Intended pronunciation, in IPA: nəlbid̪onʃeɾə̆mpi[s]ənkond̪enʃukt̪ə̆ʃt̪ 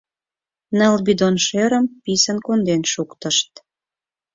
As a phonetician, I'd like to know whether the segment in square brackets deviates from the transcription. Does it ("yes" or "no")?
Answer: no